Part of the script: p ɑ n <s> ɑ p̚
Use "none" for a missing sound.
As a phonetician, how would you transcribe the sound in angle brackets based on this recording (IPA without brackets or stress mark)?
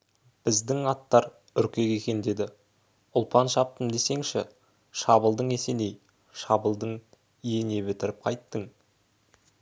ʃ